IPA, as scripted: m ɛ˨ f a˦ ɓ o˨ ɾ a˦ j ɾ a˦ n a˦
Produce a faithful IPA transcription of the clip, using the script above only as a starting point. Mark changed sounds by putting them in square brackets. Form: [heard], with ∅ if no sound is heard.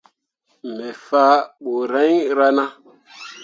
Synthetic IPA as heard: m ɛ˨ f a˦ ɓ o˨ ɾ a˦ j ɾ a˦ n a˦